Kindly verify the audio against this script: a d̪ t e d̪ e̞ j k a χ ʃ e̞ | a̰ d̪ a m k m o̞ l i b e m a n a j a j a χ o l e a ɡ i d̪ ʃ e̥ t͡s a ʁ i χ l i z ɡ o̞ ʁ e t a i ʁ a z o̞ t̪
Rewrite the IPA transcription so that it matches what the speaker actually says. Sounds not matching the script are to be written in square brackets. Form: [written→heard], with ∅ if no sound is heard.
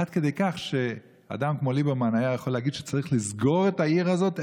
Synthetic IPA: a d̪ [t→k] e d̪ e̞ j k a χ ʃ e̞ | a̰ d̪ a m k m o̞ l i b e m a n a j a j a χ o l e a ɡ i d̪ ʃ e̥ t͡s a ʁ i χ l i z ɡ o̞ ʁ e t a i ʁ a z o̞ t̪